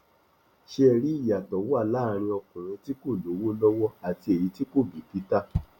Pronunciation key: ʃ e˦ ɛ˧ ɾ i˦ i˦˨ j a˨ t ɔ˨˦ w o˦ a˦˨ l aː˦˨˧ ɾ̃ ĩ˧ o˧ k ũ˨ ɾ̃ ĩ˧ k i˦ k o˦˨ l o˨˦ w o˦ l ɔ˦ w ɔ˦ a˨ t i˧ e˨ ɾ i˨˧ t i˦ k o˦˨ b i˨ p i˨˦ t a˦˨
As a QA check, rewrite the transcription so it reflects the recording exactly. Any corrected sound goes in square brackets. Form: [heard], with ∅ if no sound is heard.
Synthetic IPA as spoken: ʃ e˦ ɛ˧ ɾ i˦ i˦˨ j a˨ t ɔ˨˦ w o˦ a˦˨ l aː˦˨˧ ɾ̃ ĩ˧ [ɔ˧] k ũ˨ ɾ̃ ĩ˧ [t] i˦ k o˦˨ l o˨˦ w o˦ l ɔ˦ w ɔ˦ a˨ t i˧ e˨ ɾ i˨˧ t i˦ k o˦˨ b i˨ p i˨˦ t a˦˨